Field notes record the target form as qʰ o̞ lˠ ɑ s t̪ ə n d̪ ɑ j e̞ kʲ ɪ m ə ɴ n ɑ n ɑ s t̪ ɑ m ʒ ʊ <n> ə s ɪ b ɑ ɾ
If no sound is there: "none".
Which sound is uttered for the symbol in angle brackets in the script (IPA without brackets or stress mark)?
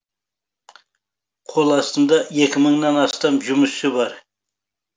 m